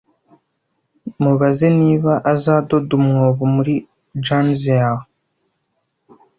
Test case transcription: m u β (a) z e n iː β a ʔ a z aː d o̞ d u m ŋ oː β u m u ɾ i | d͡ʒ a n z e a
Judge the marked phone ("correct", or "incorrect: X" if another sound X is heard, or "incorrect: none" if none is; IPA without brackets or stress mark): correct